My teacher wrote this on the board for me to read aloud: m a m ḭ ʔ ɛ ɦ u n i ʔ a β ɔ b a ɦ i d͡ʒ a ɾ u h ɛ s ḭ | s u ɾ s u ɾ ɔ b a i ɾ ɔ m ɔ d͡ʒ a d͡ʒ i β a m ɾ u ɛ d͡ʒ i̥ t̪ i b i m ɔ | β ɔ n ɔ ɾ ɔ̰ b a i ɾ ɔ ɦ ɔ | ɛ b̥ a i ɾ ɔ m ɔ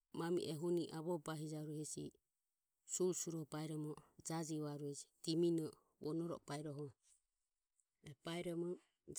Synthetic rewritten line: m a m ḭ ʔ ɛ ɦ u n i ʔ a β ɔ b a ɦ i d͡ʒ a ɾ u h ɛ s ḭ | s u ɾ s u ɾ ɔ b a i ɾ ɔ m ɔ d͡ʒ a d͡ʒ i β a ɾ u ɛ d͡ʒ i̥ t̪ i m i n ɔ | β ɔ n ɔ ɾ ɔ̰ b a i ɾ ɔ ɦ ɔ | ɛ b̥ a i ɾ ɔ m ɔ